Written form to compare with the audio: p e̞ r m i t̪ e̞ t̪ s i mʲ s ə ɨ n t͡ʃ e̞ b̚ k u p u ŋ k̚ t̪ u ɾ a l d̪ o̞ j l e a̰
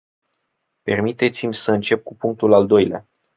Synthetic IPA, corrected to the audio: p e̞ r m i t̪ e̞ t̪ s i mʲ s ə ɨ n t͡ʃ e̞ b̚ k u p u ŋ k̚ t̪ u l a l d̪ o̞ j l e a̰